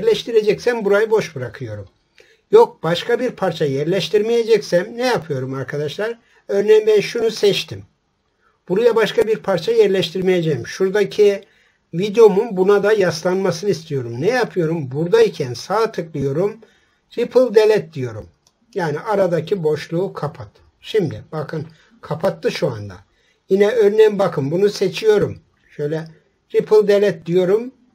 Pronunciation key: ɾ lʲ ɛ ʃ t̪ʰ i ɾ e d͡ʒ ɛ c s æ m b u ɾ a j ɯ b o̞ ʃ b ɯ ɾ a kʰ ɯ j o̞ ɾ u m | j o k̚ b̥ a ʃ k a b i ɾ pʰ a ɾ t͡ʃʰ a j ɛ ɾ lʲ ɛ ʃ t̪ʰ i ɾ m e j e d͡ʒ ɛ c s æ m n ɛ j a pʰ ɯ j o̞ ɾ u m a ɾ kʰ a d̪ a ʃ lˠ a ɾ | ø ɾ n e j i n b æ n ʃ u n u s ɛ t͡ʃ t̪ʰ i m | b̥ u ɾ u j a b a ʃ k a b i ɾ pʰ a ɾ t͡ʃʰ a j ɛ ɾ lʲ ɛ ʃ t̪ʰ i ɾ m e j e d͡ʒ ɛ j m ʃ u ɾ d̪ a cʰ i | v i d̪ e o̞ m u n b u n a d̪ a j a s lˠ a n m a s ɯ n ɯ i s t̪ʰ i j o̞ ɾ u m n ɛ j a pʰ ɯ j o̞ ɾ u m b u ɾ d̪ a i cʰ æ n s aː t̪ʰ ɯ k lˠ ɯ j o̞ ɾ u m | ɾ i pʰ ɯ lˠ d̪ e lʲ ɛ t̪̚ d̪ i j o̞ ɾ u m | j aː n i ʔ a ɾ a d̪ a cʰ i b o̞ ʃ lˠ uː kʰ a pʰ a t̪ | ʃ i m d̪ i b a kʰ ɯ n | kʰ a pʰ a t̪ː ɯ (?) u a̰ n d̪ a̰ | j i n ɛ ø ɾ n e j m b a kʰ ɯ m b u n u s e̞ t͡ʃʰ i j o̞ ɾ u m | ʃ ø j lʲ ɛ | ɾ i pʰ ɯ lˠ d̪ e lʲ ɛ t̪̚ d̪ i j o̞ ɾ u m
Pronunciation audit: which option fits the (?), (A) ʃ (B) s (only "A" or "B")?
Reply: A